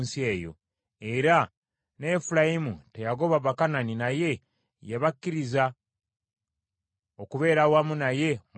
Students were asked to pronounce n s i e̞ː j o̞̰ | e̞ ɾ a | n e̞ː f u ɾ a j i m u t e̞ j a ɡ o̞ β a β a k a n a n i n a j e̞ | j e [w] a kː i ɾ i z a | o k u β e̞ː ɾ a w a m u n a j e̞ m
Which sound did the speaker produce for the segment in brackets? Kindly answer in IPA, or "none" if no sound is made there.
β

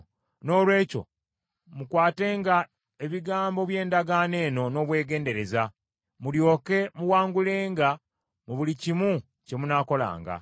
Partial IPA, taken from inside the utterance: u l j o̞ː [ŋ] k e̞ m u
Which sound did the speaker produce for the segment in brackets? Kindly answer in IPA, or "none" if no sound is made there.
none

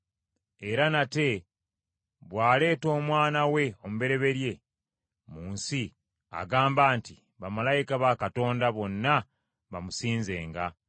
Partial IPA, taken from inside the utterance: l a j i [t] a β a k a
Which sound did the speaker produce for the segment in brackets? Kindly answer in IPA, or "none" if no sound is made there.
k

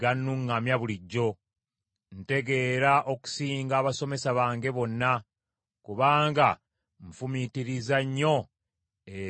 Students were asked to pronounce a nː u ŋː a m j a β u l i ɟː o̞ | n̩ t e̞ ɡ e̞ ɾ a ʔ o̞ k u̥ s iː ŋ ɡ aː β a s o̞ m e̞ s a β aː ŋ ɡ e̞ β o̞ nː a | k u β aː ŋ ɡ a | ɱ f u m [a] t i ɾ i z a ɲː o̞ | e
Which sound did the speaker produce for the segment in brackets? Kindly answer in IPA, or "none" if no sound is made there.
i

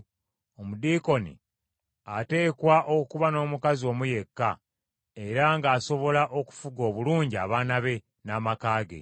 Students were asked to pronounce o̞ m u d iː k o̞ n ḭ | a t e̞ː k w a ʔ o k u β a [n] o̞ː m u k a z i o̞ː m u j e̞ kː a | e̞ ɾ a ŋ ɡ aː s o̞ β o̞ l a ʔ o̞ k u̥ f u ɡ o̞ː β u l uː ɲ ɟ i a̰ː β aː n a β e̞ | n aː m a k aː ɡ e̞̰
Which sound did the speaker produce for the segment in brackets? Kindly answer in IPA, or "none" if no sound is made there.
n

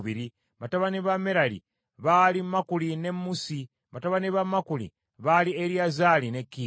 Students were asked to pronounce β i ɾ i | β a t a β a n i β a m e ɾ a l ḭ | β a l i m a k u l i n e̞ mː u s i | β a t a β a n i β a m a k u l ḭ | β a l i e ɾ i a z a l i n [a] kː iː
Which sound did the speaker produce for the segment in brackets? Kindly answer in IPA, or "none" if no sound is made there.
e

